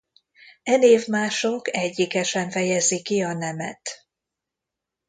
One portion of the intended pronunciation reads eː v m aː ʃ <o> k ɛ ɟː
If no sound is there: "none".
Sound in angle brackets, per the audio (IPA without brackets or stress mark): o